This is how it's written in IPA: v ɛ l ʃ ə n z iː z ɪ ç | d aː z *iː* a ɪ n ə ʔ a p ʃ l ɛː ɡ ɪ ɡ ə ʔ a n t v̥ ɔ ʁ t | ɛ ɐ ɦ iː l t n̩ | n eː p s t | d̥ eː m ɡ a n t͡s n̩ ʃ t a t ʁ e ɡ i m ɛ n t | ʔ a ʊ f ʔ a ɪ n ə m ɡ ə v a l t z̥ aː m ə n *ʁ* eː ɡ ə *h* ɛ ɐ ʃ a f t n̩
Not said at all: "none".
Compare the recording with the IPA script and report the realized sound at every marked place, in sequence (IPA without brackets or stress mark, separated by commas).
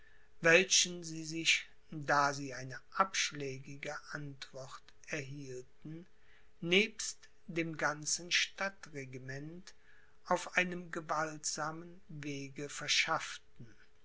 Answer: iː, v, f